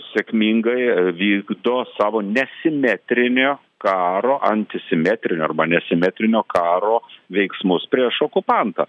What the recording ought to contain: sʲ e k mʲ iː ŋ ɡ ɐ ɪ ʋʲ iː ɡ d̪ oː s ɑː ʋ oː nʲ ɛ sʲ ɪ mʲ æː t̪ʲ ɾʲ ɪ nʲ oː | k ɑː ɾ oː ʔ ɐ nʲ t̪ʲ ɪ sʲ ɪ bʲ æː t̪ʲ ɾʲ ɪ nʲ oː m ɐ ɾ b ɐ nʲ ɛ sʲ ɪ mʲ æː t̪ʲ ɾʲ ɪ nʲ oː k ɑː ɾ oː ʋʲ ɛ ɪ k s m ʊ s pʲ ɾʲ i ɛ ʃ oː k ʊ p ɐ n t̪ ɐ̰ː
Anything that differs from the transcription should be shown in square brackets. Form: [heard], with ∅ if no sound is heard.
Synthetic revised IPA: sʲ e k mʲ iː ŋ ɡ ɐ ɪ ʋʲ iː ɡ d̪ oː s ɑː ʋ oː nʲ ɛ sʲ ɪ mʲ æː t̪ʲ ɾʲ ɪ nʲ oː | k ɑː ɾ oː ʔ ɐ nʲ t̪ʲ ɪ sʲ ɪ [mʲ] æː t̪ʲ ɾʲ ɪ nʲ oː [∅] ɐ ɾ b ɐ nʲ ɛ sʲ ɪ mʲ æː t̪ʲ ɾʲ ɪ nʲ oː k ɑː ɾ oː ʋʲ ɛ ɪ k s m ʊ s pʲ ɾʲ i ɛ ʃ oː k ʊ p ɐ n t̪ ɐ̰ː

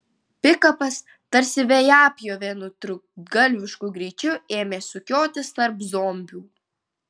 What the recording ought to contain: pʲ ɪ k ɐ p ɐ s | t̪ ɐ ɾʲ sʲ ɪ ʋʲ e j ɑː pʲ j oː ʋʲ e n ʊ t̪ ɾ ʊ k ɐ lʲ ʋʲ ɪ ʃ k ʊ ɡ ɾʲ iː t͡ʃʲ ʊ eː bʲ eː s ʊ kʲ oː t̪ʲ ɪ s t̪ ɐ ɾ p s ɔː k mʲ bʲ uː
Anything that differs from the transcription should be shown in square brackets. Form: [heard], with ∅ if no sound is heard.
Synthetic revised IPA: pʲ ɪ k ɐ p ɐ s | t̪ ɐ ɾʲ sʲ ɪ ʋʲ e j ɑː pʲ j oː ʋʲ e n ʊ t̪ ɾ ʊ [ɡ] ɐ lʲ ʋʲ ɪ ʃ k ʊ ɡ ɾʲ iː t͡ʃʲ ʊ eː [mʲ] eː s ʊ kʲ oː t̪ʲ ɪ s t̪ ɐ ɾ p [z] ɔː [∅] mʲ bʲ uː

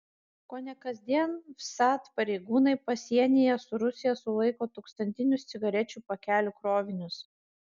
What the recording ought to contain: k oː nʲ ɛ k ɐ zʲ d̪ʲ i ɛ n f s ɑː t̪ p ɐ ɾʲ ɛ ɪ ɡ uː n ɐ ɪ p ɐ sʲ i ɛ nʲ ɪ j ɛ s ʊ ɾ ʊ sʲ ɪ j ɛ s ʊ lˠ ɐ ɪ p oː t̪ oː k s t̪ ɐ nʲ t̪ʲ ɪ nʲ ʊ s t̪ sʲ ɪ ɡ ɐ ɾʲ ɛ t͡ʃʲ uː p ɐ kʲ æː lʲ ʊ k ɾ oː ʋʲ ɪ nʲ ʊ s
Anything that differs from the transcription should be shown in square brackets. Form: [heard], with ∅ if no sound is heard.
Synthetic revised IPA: k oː nʲ ɛ k ɐ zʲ d̪ʲ i ɛ n f s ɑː t̪ p ɐ ɾʲ ɛ ɪ ɡ uː n ɐ ɪ p ɐ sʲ i ɛ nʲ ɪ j ɛ s ʊ ɾ ʊ sʲ ɪ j ɛ s ʊ lˠ ɐ ɪ [k] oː t̪ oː k s t̪ ɐ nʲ t̪ʲ ɪ nʲ ʊ s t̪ sʲ ɪ ɡ ɐ ɾʲ ɛ t͡ʃʲ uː p ɐ kʲ æː lʲ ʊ k ɾ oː ʋʲ ɪ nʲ ʊ s

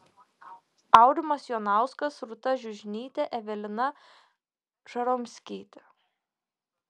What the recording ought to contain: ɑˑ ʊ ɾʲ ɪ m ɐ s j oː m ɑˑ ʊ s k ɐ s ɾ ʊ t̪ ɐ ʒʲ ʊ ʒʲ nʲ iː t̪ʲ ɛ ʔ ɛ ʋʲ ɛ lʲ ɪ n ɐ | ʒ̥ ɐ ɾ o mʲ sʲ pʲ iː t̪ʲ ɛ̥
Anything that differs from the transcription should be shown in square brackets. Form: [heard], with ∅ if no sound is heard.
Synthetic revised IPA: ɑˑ ʊ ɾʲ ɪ m ɐ s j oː [n] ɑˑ ʊ s k ɐ s ɾ ʊ t̪ ɐ ʒʲ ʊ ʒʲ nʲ iː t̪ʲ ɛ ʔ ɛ ʋʲ ɛ lʲ ɪ n ɐ | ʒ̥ ɐ ɾ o mʲ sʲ [kʲ] iː t̪ʲ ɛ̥

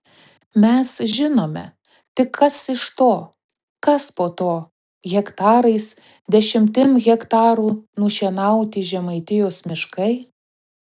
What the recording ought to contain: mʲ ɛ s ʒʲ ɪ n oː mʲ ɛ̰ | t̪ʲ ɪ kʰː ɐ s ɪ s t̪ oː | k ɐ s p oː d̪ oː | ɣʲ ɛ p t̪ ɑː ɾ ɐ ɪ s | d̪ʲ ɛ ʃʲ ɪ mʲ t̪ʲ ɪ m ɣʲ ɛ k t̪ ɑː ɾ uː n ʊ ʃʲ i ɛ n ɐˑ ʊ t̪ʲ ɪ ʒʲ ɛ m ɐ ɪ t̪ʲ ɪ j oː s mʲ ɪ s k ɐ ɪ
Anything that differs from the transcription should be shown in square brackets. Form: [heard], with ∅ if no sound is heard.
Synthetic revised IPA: mʲ ɛ s ʒʲ ɪ n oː mʲ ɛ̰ | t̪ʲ ɪ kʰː ɐ s ɪ [ʃ] t̪ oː | k ɐ s p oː [t̪] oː | ɣʲ ɛ [k] t̪ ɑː ɾ ɐ ɪ s | d̪ʲ ɛ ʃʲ ɪ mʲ t̪ʲ ɪ m ɣʲ ɛ k t̪ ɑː ɾ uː n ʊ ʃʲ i ɛ n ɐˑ ʊ t̪ʲ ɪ ʒʲ ɛ m ɐ ɪ t̪ʲ ɪ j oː s mʲ ɪ [ʃ] k ɐ ɪ

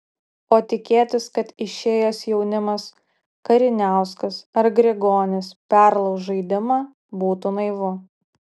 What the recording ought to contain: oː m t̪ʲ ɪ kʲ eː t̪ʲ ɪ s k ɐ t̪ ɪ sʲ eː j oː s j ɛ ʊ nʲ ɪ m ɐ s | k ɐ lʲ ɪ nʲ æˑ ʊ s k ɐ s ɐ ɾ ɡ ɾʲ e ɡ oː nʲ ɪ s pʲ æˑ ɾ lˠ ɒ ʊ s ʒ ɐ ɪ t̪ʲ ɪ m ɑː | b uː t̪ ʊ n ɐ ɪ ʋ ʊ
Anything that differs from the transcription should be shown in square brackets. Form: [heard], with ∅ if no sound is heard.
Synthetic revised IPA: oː [∅] t̪ʲ ɪ kʲ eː t̪ʲ ɪ s k ɐ t̪ ɪ [ʃʲ] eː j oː s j ɛ ʊ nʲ ɪ m ɐ s | k ɐ [ɾʲ] ɪ nʲ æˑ ʊ s k ɐ s ɐ ɾ ɡ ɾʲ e ɡ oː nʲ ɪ s pʲ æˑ ɾ lˠ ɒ ʊ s ʒ ɐ ɪ [d̪ʲ] ɪ m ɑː | b uː t̪ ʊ n ɐ ɪ ʋ ʊ

